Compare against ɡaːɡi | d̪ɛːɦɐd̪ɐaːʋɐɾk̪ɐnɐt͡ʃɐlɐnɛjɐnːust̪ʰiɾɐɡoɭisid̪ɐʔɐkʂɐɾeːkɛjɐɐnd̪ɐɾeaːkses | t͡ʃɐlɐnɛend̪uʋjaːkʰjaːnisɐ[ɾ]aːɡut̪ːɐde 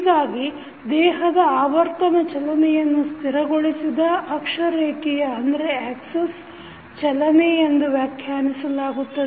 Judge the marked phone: incorrect: l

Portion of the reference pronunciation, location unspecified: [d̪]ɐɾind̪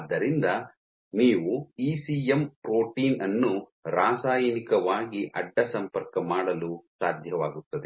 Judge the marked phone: incorrect: d̪ː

